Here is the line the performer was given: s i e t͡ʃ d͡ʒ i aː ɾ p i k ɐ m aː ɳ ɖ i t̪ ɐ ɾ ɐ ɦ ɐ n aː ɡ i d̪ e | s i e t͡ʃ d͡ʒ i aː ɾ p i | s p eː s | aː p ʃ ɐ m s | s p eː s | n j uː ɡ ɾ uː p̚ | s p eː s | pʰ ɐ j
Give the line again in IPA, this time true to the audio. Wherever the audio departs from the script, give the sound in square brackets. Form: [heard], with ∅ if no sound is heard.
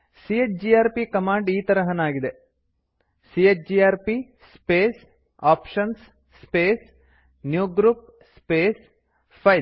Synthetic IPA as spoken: s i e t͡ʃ d͡ʒ i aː ɾ p i k ɐ m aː ɳ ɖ [iː] t̪ ɐ ɾ ɐ ɦ ɐ n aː ɡ i d̪ e | s i e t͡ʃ d͡ʒ i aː ɾ p i | s p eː s | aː p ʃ ɐ [n] s | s p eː s | n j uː ɡ ɾ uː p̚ | s p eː s | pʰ ɐ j